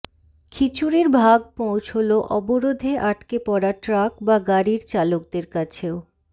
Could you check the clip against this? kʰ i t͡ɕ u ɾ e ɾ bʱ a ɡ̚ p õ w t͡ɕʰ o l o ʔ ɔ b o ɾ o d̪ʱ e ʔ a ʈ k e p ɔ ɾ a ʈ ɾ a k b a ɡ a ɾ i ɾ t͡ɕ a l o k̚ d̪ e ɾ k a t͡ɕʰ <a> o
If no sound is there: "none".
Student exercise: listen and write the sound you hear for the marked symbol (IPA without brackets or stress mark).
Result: e